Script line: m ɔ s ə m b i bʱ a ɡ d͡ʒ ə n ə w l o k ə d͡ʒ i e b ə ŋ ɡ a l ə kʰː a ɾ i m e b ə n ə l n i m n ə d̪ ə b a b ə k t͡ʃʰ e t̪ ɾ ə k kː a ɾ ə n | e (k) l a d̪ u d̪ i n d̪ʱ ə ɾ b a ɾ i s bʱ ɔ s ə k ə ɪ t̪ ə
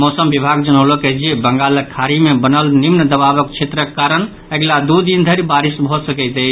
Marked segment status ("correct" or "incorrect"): incorrect